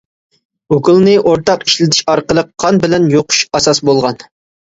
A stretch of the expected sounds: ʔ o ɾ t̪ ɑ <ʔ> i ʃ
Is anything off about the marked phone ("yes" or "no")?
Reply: yes